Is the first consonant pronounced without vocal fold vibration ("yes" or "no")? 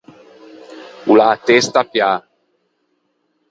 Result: no